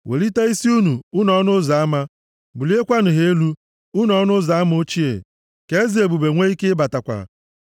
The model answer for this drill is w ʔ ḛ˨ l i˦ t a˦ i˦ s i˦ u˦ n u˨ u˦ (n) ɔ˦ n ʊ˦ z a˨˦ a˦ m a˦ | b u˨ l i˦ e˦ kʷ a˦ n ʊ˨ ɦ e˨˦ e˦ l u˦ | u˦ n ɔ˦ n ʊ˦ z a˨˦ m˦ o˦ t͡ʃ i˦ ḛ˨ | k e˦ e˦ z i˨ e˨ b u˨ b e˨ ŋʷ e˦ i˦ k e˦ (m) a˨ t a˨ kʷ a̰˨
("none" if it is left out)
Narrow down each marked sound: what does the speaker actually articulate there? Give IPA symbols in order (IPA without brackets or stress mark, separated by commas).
n, b